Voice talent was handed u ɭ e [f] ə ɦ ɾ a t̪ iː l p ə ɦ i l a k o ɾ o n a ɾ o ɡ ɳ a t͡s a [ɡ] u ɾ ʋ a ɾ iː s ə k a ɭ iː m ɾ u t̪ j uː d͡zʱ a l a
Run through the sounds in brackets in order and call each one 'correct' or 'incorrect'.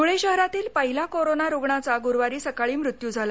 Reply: incorrect: ɕ, correct

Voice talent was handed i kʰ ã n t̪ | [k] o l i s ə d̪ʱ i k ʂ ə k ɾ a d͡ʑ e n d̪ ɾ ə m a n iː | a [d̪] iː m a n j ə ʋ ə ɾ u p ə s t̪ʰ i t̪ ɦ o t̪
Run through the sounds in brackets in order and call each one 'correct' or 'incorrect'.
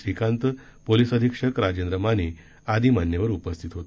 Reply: incorrect: p, correct

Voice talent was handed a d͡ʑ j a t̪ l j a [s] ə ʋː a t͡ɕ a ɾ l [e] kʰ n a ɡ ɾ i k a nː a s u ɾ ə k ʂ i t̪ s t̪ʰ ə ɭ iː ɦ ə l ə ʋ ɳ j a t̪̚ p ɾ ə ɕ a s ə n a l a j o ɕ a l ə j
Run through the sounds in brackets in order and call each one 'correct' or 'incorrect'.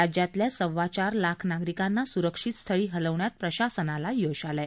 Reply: correct, incorrect: a

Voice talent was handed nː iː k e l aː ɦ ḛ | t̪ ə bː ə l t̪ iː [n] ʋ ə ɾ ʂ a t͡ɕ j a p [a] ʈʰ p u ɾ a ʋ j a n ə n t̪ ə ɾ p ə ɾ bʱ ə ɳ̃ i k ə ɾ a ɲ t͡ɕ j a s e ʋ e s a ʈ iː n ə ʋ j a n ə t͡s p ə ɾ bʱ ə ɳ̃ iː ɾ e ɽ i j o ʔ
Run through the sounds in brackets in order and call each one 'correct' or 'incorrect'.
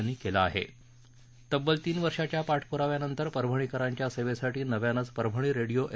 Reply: correct, correct

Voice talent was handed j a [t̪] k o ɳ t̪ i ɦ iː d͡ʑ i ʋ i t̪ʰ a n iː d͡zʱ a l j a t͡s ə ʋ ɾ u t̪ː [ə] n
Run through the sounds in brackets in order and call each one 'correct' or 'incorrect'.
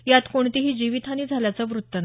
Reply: correct, correct

